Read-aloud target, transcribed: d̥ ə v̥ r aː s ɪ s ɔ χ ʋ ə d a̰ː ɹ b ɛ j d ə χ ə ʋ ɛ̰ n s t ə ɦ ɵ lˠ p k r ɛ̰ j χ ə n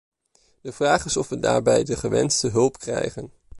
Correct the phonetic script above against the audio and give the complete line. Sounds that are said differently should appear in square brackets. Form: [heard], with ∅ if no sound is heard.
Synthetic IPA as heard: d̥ ə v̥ r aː [χ] ɪ s ɔ [f] ʋ ə d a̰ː ɹ b ɛ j d ə χ ə ʋ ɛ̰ n s t ə ɦ ɵ lˠ p k r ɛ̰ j χ ə n